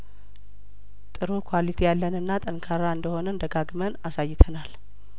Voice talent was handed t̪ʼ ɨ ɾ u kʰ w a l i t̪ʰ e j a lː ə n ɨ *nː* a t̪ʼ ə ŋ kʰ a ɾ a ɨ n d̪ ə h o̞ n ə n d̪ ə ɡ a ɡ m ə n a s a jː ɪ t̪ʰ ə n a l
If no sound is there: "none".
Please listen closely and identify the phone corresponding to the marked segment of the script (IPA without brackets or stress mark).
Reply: nː